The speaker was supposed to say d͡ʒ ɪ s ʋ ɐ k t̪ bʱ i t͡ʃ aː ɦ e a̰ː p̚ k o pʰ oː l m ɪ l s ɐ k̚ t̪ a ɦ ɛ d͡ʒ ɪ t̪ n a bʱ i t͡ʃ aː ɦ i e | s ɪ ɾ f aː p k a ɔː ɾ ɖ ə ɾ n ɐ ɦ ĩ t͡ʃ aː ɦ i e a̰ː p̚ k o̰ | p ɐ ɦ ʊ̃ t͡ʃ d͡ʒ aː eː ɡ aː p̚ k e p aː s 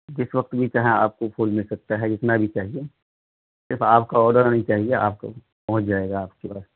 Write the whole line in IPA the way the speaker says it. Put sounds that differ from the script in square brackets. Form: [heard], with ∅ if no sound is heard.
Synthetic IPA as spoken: d͡ʒ ɪ s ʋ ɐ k t̪ bʱ i t͡ʃ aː ɦ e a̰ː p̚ k o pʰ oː l m ɪ l s ɐ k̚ t̪ a ɦ ɛ d͡ʒ ɪ t̪ n a bʱ i t͡ʃ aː ɦ i e | s ɪ ɾ f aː p k a ɔː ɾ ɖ ə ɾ n ɐ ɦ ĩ t͡ʃ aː ɦ i e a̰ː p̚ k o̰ | p ɐ ɦ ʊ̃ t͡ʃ d͡ʒ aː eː ɡ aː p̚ k e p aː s